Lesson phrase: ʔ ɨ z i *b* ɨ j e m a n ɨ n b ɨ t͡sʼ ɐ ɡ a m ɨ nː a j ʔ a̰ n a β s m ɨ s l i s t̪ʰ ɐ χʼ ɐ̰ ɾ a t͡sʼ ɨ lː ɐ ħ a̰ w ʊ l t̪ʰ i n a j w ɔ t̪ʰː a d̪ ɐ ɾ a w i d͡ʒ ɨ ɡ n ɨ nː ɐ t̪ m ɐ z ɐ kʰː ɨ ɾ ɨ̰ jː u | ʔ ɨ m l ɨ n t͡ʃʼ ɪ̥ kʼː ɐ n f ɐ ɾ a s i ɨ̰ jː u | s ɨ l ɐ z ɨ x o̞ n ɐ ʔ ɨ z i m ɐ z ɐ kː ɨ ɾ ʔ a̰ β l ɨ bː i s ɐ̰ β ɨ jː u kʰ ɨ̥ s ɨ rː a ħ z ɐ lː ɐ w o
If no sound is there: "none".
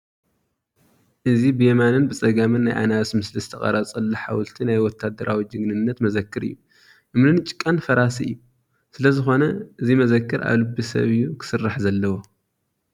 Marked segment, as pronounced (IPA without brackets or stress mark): b